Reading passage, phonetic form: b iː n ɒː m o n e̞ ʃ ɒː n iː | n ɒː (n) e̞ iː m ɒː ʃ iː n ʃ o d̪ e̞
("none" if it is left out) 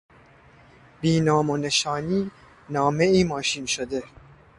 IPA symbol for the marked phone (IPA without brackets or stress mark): m